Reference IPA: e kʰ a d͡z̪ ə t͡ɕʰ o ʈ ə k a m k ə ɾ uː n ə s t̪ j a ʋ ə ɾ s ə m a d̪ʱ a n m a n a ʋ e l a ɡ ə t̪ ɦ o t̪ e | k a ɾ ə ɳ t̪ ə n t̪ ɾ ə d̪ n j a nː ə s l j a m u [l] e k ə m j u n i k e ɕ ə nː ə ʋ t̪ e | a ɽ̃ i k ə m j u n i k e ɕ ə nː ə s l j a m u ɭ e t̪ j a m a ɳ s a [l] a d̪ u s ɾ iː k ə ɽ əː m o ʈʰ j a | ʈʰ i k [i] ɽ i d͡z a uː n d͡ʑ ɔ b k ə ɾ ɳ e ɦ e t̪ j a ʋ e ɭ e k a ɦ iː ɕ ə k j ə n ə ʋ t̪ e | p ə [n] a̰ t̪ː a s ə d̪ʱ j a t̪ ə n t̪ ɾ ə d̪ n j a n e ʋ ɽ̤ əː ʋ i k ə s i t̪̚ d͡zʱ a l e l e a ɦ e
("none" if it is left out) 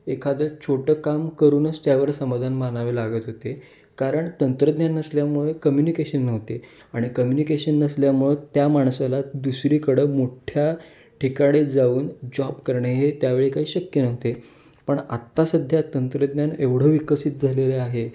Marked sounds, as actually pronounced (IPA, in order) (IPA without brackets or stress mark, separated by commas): ɭ, l, a, ɳ